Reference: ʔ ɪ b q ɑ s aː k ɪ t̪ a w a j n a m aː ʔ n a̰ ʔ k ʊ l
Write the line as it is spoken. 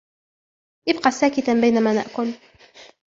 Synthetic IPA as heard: ʔ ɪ b q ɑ s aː k ɪ t̪ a b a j n a m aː n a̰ ʔ k ʊ l